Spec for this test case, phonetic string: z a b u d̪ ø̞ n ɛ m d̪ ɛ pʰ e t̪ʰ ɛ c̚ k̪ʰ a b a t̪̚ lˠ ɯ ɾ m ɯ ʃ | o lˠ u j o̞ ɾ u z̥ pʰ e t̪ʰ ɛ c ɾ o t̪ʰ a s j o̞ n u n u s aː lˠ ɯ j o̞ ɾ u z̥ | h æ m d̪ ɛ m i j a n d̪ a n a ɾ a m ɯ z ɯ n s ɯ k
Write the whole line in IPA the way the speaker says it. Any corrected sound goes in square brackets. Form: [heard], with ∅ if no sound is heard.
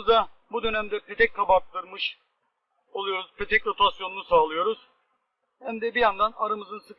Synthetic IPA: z a b u d̪ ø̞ n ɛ m d̪ ɛ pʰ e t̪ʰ ɛ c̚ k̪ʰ a b a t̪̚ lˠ ɯ ɾ m ɯ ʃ | o lˠ u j o̞ ɾ u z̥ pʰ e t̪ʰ ɛ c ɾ o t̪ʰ a s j o̞ n u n u s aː lˠ ɯ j o̞ ɾ u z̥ | h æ m d̪ ɛ [b] i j a n d̪ a n a ɾ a m ɯ z ɯ n s ɯ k